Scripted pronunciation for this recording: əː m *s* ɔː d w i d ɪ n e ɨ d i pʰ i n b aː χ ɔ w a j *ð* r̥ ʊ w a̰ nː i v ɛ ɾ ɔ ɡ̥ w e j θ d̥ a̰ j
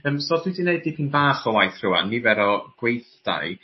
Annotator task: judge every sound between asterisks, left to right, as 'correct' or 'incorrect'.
correct, incorrect: θ

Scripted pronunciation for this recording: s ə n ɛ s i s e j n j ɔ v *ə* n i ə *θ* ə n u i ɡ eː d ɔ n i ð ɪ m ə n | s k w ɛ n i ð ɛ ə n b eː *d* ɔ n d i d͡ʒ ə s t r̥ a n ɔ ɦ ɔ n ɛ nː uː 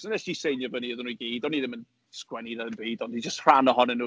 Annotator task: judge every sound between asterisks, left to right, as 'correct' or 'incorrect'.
correct, incorrect: ð, correct

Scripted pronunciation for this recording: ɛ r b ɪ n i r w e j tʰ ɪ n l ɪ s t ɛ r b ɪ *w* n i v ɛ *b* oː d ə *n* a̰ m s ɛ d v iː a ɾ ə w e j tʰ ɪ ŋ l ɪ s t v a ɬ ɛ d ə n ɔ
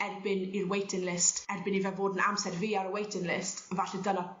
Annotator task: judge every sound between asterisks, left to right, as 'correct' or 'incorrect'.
incorrect: none, incorrect: v, correct

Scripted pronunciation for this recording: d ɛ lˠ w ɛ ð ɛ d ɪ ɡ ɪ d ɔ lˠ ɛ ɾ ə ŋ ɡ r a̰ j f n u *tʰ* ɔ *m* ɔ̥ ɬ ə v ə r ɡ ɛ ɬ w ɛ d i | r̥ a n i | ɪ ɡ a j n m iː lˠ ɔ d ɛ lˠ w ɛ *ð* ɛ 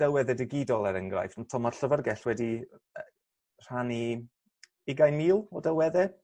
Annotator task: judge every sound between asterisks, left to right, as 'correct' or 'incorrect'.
correct, correct, correct

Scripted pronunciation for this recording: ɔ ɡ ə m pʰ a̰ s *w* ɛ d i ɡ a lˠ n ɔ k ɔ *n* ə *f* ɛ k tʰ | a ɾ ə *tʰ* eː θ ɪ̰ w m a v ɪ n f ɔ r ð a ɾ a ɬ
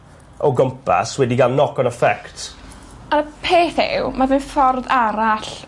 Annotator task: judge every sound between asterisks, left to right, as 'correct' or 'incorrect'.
correct, correct, correct, incorrect: pʰ

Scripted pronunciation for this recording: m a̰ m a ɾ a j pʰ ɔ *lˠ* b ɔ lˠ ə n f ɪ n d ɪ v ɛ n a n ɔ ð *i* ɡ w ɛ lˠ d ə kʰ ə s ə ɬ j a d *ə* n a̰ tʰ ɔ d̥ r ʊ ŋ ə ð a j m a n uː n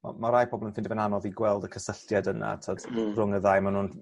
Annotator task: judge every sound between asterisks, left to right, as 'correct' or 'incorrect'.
incorrect: none, correct, correct

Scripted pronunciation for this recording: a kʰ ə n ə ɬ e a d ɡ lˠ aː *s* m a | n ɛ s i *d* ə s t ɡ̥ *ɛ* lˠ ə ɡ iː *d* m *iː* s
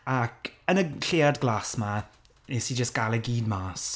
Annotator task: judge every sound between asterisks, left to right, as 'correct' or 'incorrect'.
correct, incorrect: d͡ʒ, incorrect: a, correct, incorrect: aː

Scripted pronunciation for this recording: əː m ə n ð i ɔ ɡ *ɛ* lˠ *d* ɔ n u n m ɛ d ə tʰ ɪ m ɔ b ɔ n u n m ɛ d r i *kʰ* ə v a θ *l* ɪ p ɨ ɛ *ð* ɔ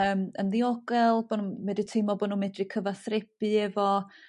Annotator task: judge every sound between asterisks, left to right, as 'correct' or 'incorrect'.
correct, incorrect: b, correct, incorrect: r, incorrect: v

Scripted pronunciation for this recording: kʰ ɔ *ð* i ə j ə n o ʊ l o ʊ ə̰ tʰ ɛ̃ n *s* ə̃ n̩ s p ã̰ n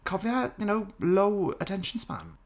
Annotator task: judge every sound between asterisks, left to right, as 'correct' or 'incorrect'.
incorrect: v, incorrect: ʃ

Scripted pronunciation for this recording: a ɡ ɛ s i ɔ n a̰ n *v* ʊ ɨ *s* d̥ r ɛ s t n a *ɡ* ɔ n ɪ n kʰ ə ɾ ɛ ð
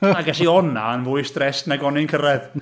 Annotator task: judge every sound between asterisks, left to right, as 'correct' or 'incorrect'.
correct, correct, correct

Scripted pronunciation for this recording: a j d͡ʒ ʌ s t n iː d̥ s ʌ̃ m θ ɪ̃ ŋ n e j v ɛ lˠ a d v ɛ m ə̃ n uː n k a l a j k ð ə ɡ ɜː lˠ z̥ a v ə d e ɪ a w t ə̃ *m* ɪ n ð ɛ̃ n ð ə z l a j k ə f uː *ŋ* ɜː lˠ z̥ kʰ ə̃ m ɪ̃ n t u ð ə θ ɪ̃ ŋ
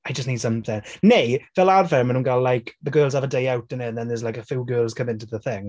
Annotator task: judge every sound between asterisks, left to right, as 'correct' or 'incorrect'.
incorrect: n, incorrect: ɡ

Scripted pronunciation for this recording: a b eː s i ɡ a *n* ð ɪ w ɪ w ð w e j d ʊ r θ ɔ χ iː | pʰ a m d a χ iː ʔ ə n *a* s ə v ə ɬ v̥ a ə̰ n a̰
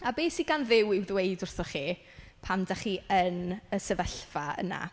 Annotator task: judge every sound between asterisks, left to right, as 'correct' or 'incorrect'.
correct, incorrect: ə

